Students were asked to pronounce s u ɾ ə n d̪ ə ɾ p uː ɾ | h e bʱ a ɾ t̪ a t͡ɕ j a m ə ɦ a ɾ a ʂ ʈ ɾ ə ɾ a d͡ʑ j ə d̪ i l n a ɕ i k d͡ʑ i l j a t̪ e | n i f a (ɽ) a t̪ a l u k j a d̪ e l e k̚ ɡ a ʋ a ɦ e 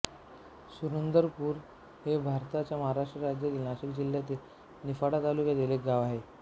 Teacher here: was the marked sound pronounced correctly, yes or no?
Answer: yes